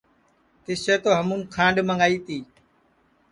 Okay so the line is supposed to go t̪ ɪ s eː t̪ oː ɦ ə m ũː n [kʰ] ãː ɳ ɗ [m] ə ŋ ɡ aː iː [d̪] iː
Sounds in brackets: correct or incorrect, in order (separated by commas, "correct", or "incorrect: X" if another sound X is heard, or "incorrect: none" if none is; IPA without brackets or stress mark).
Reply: correct, correct, incorrect: t̪